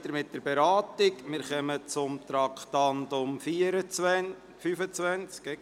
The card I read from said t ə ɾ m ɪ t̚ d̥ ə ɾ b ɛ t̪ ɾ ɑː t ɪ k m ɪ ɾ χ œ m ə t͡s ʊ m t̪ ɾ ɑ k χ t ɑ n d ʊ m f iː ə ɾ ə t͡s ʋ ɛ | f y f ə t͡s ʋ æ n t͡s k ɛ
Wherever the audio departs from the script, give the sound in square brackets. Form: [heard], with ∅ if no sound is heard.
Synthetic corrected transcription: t ə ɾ m ɪ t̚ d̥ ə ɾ b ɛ [∅] ɾ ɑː t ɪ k m ɪ ɾ χ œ m ə t͡s ʊ m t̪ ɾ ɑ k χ t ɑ n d ʊ m f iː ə ɾ ə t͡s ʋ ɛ | f y f ə t͡s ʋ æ n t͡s k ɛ

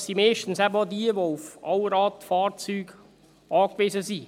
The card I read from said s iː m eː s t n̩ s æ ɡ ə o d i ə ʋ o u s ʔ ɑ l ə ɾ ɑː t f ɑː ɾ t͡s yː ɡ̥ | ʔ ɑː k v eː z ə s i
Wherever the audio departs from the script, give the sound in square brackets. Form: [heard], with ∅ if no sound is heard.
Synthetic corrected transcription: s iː m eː [ʃ] t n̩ s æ [b] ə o d i ə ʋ o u [f] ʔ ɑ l ə ɾ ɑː t f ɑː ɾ t͡s yː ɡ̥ | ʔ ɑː k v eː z ə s i

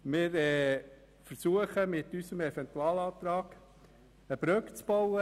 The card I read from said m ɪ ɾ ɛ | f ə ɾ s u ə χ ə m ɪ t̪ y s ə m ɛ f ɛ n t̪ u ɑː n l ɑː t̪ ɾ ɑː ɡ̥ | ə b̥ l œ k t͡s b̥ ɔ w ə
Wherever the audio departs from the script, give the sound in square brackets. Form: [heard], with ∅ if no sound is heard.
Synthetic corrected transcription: m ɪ ɾ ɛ | f ə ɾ s u ə χ ə m ɪ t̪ y s ə m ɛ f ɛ n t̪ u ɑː [∅] l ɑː t̪ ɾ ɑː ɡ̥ | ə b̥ [ɾ] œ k t͡s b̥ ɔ w ə

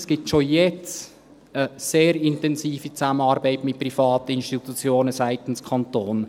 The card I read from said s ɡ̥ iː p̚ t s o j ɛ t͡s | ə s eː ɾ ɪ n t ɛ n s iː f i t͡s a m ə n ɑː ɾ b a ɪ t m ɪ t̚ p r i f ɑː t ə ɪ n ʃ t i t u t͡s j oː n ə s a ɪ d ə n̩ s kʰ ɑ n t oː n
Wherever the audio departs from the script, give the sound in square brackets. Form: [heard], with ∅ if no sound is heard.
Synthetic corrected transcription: s ɡ̥ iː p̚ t [ʃ] o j ɛ t͡s | ə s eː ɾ ɪ n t ɛ n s iː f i t͡s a m ə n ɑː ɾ b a ɪ t m ɪ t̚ p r i f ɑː t ə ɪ n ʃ t i t u t͡s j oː n ə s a ɪ [t] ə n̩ s kʰ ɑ n t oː n

